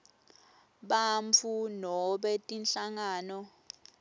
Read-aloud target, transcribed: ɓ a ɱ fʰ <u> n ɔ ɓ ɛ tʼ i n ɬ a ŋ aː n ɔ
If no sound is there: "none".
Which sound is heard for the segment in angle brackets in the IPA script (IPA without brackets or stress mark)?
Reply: u